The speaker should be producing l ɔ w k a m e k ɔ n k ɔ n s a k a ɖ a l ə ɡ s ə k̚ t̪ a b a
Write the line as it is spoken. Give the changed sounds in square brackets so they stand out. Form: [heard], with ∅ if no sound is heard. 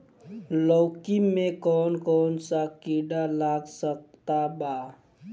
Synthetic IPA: l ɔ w k [i] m e k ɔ n k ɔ n s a k [i] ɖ a l [a] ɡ s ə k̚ t̪ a b a